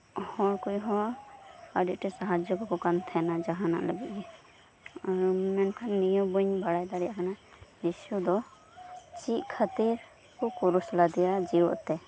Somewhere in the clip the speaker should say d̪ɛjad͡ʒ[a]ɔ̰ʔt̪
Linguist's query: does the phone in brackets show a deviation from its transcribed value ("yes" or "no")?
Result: yes